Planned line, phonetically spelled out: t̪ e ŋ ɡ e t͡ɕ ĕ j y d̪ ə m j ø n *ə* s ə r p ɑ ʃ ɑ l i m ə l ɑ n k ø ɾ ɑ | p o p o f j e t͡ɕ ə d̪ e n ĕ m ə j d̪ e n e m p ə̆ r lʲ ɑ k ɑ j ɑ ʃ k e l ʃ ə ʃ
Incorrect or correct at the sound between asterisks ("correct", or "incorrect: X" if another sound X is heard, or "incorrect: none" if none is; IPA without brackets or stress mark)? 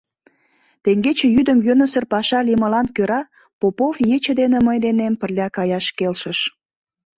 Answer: correct